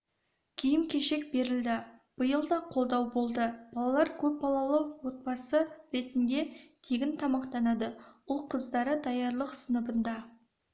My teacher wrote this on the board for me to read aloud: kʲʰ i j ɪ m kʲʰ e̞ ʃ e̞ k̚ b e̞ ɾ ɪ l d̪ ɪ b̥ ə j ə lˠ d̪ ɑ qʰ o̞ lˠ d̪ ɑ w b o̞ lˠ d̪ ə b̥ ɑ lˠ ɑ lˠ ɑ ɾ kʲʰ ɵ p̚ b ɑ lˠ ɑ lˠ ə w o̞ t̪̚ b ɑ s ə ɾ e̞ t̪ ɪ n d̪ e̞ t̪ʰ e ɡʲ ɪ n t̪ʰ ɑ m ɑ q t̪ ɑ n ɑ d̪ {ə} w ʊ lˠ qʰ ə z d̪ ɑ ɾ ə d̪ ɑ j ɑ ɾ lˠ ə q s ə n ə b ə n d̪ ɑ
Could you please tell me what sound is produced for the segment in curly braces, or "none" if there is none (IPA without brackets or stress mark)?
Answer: ə